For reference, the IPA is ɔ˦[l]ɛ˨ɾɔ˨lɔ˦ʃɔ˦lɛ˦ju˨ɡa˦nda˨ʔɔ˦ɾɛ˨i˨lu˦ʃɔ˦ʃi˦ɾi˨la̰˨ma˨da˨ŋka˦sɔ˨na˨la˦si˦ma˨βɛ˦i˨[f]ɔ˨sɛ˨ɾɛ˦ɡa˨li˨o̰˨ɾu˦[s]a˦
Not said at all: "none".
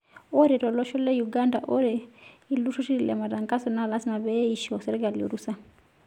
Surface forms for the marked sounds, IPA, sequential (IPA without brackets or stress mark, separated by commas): ɾ, ʃ, s